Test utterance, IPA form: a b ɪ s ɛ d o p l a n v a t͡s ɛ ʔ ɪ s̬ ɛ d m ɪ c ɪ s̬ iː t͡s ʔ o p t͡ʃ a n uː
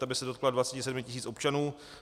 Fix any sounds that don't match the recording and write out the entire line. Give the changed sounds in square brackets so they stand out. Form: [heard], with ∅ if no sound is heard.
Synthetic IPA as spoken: a b ɪ s ɛ d o [k] l a [d] v a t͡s ɛ [c] ɪ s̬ ɛ d m ɪ c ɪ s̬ iː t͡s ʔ o p t͡ʃ a n uː